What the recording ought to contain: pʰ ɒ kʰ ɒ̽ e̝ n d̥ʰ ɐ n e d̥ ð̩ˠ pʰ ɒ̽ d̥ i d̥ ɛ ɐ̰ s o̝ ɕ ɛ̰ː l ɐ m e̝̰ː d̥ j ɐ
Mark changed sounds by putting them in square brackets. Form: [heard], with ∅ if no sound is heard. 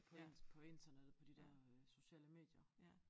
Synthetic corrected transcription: pʰ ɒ [pʰ] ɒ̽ e̝ n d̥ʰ ɐ n e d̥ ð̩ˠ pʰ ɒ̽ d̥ i d̥ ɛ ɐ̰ s o̝ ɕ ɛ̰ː l [ə] m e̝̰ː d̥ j ɐ